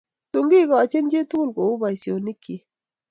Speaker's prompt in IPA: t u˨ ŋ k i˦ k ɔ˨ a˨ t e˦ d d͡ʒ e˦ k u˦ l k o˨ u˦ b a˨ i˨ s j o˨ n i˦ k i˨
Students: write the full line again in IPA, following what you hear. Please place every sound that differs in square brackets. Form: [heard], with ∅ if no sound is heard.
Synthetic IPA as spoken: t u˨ ŋ [ɡ] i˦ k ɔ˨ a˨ [t͡ʃ] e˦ [n] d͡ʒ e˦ [t] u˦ l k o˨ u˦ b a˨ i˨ s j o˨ n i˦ k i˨

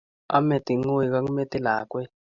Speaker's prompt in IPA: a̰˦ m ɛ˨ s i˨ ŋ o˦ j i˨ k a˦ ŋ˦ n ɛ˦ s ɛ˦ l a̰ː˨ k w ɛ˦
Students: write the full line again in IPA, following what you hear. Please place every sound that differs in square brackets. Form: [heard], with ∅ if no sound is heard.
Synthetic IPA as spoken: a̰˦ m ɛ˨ [t] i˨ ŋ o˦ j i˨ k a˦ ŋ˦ [m] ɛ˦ [t] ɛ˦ l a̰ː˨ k w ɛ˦

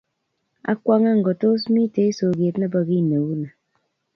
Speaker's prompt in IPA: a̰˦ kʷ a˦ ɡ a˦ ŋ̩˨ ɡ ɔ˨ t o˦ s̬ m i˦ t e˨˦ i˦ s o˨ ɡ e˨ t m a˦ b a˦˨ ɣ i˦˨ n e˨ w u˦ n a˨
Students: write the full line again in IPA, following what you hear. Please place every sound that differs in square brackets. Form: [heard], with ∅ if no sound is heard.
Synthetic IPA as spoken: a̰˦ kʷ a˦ [ŋ] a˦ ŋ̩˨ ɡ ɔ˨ t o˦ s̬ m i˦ t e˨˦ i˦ s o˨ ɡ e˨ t [n] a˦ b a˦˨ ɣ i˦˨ n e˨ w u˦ n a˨

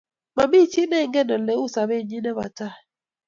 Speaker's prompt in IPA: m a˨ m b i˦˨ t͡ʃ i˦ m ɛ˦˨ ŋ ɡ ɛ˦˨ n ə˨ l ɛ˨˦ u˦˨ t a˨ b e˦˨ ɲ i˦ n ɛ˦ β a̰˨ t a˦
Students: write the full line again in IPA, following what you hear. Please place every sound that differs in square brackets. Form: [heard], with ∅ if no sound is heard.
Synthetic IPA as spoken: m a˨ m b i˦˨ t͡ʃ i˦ [n] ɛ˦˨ ŋ ɡ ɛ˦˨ n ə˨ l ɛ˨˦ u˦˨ [s] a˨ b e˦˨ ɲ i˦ n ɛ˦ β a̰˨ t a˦

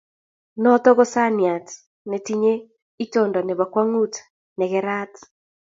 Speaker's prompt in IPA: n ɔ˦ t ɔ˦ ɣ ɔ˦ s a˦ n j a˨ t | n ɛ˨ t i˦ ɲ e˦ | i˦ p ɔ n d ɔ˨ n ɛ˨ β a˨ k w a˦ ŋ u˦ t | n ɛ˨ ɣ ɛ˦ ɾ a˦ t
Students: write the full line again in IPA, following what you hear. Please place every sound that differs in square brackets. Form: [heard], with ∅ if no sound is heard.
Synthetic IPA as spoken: n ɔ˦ t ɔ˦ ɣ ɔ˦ s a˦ n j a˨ t | n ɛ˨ t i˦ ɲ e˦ | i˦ [t] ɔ n d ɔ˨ n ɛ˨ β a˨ k w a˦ ŋ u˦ t | n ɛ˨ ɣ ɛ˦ ɾ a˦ t

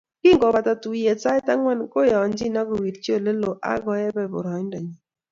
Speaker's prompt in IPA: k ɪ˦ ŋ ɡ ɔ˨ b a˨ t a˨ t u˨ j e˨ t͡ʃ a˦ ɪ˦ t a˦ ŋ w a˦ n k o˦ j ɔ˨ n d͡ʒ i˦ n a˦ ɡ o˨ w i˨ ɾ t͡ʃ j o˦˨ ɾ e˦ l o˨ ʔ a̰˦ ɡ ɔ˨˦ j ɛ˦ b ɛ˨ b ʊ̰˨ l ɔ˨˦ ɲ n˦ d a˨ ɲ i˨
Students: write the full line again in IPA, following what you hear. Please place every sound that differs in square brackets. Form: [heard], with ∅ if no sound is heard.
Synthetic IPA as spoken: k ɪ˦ ŋ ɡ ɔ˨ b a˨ t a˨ t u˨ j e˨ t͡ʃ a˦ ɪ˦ t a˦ ŋ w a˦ n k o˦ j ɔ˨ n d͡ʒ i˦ n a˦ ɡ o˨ w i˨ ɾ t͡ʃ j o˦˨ [l] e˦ l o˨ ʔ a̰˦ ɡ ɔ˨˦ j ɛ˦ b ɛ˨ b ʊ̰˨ [ɾ] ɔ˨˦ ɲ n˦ d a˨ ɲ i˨

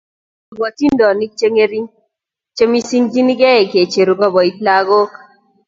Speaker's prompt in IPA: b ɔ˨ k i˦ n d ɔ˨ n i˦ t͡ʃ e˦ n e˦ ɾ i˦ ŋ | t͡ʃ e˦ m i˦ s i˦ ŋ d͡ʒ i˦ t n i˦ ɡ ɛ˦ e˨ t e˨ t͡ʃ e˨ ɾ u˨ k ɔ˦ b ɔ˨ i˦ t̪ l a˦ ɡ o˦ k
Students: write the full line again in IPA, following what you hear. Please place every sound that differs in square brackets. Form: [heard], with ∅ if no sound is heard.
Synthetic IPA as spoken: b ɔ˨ [t] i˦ n d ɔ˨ n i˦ t͡ʃ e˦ [ŋ] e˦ ɾ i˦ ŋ | t͡ʃ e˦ m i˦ s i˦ ŋ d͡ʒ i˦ [∅] n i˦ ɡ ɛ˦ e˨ [k] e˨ t͡ʃ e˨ ɾ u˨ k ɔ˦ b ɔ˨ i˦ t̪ l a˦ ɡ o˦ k

